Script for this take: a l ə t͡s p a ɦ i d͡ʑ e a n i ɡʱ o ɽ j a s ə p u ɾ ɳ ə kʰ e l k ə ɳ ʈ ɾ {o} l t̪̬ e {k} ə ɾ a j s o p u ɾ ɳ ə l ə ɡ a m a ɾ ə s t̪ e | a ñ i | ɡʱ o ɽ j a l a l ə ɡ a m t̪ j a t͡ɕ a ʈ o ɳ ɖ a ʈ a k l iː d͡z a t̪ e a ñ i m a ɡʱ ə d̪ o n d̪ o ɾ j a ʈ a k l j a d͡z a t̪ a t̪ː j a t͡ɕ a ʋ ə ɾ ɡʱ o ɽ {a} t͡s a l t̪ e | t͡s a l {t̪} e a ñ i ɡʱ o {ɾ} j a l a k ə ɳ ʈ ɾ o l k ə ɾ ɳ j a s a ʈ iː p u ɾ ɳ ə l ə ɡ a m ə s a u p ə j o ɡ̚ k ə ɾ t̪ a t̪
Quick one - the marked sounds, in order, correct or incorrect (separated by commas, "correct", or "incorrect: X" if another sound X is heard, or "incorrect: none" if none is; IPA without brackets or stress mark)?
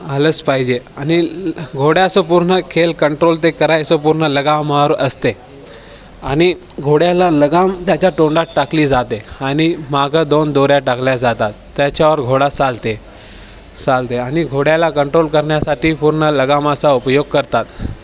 correct, correct, correct, correct, incorrect: ɽ